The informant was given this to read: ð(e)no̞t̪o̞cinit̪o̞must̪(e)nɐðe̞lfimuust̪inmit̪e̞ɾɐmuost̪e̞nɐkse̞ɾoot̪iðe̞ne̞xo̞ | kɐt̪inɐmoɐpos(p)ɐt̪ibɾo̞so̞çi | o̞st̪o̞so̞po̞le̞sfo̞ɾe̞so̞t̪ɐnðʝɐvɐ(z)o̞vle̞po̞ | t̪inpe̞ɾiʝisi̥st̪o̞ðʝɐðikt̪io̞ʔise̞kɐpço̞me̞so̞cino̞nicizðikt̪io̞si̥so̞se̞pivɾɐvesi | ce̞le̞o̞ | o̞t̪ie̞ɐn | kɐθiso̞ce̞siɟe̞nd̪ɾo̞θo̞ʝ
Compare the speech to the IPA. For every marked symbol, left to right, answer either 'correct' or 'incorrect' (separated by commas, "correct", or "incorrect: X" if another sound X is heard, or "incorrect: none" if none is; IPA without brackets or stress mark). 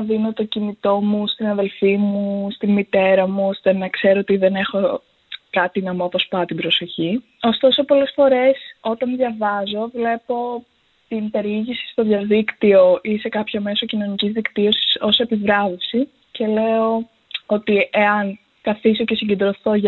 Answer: incorrect: i, incorrect: i, correct, correct